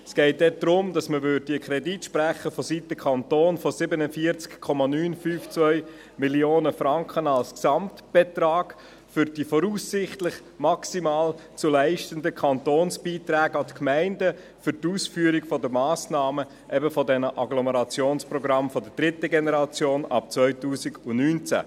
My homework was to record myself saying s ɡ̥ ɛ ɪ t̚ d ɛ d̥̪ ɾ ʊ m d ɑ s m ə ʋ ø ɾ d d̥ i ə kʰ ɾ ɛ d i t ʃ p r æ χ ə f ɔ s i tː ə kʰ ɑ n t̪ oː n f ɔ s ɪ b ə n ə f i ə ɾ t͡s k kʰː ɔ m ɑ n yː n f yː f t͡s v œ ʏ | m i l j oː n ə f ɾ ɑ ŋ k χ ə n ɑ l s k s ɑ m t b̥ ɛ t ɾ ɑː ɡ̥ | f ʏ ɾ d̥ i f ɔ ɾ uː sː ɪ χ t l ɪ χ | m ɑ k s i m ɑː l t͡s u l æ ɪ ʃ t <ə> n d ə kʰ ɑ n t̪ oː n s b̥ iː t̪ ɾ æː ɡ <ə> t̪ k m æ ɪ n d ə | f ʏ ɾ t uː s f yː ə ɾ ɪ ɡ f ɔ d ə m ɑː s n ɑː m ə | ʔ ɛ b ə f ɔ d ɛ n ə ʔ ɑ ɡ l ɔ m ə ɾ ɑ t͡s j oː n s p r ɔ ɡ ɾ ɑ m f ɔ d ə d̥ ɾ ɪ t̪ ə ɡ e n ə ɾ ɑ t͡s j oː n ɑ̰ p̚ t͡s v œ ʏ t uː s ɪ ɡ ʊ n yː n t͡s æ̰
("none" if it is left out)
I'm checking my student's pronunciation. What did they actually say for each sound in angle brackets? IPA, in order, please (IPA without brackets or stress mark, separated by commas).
ə, ɑ